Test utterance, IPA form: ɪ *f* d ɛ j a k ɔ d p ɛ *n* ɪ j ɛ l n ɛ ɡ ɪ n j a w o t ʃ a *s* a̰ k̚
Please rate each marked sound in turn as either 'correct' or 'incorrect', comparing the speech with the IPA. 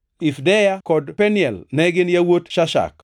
correct, correct, incorrect: ʃ

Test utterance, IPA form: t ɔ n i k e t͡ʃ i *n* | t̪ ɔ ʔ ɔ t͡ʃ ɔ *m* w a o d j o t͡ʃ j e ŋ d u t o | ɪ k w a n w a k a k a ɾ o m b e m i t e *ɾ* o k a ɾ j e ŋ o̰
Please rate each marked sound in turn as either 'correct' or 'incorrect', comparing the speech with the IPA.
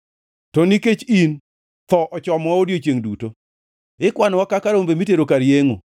correct, correct, correct

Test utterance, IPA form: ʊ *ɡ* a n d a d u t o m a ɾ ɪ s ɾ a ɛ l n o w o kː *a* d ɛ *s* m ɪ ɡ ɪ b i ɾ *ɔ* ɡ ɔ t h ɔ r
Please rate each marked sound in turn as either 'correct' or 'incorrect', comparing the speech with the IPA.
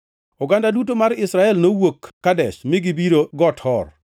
correct, correct, incorrect: ʃ, incorrect: o

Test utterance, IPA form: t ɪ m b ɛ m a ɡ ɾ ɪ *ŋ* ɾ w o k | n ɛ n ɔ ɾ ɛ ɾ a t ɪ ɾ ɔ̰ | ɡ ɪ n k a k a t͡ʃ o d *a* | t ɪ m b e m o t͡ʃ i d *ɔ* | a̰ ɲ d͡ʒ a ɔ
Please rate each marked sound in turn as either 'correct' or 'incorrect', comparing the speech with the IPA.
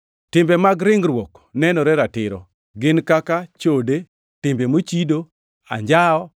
correct, incorrect: e, incorrect: o

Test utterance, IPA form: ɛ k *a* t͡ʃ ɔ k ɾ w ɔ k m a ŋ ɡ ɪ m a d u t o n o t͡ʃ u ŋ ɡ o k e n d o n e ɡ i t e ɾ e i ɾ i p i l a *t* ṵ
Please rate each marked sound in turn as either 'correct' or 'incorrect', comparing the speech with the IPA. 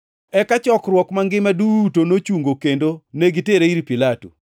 correct, correct

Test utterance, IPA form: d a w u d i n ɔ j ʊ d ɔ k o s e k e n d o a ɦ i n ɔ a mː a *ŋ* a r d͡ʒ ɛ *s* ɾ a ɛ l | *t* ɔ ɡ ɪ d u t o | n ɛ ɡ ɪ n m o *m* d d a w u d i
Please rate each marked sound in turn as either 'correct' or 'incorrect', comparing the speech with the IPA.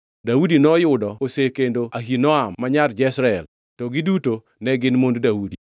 incorrect: ɲ, correct, correct, incorrect: n

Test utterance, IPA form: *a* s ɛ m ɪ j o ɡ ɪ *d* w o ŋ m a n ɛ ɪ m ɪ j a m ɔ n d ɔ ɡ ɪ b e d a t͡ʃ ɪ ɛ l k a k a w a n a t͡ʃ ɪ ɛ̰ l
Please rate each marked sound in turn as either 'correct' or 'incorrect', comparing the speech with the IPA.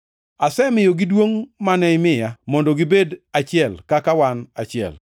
correct, correct

